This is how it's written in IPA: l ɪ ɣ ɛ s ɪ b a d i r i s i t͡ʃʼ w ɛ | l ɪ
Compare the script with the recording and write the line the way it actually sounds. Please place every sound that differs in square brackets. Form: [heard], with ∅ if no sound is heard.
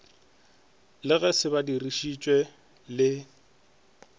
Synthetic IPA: l ɪ ɣ ɛ s ɪ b a d i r i [ʃ] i t͡ʃʼ w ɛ | l ɪ